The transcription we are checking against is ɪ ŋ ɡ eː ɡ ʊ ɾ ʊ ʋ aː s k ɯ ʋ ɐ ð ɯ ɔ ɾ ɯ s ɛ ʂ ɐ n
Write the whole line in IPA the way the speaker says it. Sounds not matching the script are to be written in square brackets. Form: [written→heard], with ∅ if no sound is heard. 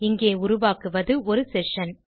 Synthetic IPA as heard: ɪ ŋ ɡ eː [ɡ→∅] ʊ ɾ ʊ ʋ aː [s→∅] k ɯ ʋ ɐ ð ɯ ɔ ɾ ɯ s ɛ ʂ ɐ n